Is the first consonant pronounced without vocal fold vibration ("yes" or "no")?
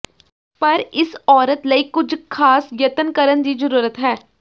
yes